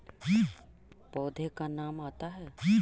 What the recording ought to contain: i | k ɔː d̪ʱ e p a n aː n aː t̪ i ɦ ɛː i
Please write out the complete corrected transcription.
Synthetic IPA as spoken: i | p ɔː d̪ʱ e k a n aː m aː t̪ a ɦ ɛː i